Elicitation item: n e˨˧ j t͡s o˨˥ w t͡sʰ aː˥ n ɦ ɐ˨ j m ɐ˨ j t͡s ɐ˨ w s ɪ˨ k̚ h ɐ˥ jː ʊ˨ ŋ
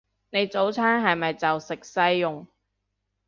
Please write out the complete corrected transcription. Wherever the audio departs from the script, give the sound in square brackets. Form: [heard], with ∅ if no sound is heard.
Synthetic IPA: n e˨˧ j t͡s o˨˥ w t͡sʰ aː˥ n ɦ ɐ˨ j m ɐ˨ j t͡s ɐ˨ w s ɪ˨ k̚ [s] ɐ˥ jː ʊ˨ ŋ